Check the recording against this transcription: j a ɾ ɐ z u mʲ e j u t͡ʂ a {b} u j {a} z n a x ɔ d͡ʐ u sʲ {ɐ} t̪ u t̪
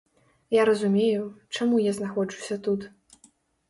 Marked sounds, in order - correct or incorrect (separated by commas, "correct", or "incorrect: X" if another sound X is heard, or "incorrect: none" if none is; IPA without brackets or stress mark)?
incorrect: m, correct, correct